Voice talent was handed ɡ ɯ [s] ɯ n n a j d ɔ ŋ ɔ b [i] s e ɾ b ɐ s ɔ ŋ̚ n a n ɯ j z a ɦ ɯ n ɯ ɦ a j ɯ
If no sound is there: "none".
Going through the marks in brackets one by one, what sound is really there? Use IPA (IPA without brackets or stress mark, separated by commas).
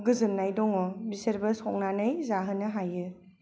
z, i